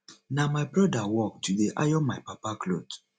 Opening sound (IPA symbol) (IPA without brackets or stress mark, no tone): n